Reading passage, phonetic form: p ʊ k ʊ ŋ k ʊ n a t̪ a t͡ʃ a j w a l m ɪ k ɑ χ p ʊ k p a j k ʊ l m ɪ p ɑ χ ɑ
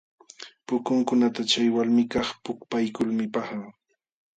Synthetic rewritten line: p ʊ k ʊ ŋ k ʊ n a t̪ a t͡ʃ a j w a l m ɪ k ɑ χ p ʊ k p a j k ʊ l m ɪ p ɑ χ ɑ

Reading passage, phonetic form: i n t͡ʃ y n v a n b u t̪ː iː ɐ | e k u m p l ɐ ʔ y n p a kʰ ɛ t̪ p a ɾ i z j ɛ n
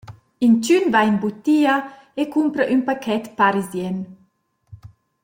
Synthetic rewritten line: i n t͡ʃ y n v a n b u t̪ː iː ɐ | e k u m p ɾ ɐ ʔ y n p a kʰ ɛ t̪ p a ɾ i z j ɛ n

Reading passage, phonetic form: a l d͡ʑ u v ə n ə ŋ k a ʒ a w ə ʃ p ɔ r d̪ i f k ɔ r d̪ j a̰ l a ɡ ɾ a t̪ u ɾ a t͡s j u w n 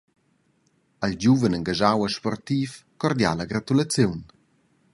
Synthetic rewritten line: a l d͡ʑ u v ə n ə ŋ ɡ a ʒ a w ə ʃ p ɔ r t̪ i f k ɔ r d̪ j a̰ l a ɡ ɾ a t̪ u l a t͡s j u w n

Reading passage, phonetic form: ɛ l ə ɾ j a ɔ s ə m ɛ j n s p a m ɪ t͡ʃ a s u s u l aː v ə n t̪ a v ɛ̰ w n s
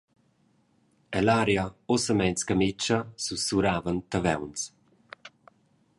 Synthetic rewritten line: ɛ l a ɾ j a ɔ s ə m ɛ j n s k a m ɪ t͡ʃ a s u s u ɾ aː v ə n t̪ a v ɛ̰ w n s

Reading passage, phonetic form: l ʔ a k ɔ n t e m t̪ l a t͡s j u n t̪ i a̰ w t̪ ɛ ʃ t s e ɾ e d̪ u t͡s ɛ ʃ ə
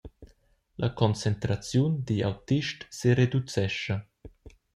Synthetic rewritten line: l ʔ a k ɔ n t͡s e n t̪ ɾ a t͡s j u n d̪ i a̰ w t̪ i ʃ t s e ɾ e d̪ u t͡s ɛ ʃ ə

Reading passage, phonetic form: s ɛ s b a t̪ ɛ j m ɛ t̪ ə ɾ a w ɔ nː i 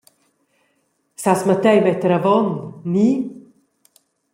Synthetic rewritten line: s a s m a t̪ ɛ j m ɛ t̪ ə ɾ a v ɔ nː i

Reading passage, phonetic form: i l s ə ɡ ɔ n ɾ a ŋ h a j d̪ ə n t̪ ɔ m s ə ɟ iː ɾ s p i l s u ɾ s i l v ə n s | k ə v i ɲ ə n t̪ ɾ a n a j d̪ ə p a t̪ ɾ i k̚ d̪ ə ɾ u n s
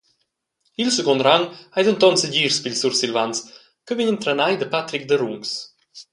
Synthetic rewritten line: i l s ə ɡ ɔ n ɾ a ŋ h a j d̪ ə n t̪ ɔ n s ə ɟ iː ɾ s p i l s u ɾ s i l v a n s | k ə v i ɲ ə n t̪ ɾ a n a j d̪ ə p a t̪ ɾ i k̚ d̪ ə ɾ u ŋ s

